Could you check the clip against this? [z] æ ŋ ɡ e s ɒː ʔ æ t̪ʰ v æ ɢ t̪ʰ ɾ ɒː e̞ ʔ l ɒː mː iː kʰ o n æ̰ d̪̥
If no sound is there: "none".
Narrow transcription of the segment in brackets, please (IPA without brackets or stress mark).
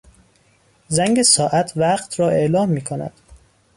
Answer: z